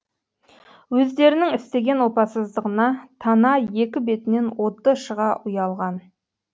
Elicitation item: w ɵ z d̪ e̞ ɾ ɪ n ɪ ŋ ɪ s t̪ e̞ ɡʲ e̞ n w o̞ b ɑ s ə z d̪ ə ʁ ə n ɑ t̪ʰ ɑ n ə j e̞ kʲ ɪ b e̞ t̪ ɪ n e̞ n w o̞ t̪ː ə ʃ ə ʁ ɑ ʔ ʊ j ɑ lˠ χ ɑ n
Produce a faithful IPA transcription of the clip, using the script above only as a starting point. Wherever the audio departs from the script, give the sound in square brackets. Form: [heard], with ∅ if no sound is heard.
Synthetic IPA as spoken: w ɵ z d̪ e̞ ɾ ɪ n ɪ ŋ ɪ s t̪ e̞ ɡʲ e̞ n w o̞ [p] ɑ s ə z d̪ ə ʁ ə n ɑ t̪ʰ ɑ n [ɑ] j e̞ kʲ ɪ b e̞ t̪ ɪ n e̞ n w o̞ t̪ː ə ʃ ə ʁ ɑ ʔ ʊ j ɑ lˠ [ʁ] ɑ n